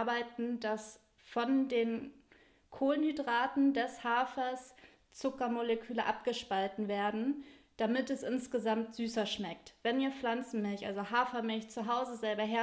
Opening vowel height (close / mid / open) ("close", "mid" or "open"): open